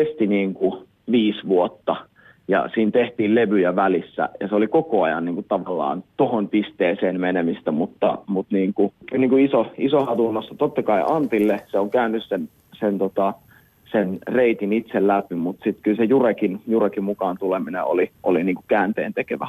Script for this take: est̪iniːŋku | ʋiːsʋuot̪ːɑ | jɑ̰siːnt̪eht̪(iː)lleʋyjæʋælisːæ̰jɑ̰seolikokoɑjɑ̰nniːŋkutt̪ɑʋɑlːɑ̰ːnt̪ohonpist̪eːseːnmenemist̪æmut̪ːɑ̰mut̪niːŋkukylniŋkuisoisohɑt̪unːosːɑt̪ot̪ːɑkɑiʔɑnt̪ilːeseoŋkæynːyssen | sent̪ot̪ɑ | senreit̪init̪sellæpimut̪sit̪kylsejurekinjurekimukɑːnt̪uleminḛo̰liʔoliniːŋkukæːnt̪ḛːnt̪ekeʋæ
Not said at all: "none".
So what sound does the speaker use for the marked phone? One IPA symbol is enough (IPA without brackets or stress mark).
iː